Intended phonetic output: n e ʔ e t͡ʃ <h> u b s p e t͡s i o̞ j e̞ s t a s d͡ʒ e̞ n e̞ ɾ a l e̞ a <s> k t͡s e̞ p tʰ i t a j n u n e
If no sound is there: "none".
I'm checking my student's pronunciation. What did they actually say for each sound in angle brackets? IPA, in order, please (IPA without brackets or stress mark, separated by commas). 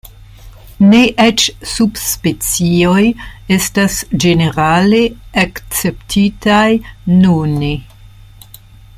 s, none